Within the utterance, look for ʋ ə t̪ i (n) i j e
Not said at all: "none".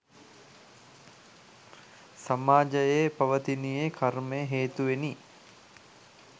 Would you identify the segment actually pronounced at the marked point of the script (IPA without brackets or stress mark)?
n